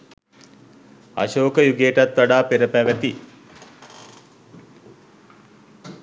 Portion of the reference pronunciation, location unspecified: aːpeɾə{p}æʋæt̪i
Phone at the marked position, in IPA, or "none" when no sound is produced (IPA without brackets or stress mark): p